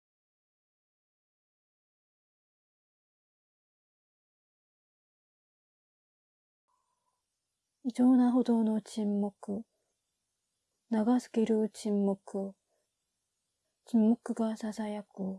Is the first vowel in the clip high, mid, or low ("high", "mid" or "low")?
high